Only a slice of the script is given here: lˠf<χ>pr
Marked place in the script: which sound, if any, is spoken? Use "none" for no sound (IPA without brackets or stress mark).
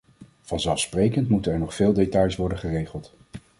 s